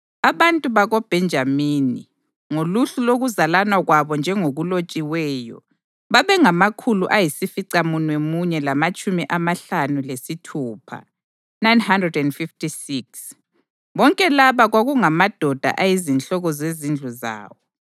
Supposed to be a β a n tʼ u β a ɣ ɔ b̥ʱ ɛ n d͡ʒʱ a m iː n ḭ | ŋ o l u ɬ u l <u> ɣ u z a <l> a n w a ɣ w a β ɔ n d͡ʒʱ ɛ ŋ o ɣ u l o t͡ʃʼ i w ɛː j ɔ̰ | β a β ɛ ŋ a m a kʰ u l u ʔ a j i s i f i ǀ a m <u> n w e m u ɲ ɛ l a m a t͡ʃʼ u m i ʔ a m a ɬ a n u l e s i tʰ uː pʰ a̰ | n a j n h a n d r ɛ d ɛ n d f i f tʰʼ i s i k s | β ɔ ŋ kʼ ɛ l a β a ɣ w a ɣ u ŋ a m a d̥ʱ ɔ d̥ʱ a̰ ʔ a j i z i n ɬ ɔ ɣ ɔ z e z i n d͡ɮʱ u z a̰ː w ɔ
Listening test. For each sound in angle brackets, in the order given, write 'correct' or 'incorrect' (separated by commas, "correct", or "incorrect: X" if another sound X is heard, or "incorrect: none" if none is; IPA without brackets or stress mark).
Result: incorrect: o, correct, correct